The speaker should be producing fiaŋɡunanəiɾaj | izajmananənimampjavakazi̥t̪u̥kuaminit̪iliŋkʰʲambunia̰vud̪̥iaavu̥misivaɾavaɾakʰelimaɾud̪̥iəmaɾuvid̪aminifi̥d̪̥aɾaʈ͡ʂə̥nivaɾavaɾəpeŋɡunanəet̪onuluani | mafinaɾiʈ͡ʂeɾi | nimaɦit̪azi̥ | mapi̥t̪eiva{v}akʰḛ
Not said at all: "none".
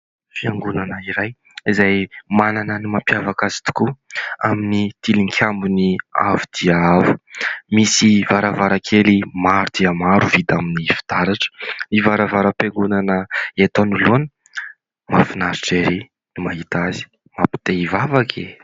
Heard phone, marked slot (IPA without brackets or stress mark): v